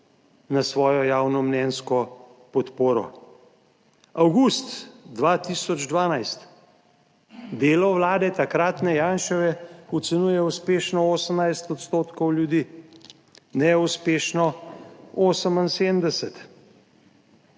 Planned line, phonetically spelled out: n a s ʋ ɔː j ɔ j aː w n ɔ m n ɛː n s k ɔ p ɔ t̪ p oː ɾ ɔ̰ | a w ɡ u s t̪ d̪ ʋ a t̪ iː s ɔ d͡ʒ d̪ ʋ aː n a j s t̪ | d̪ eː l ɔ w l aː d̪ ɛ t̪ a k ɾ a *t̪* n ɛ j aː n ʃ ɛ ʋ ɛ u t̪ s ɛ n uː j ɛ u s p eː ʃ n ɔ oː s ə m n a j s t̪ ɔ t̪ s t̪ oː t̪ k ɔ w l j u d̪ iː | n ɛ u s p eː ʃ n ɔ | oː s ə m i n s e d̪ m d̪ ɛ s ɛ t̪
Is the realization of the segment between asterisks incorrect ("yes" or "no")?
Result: no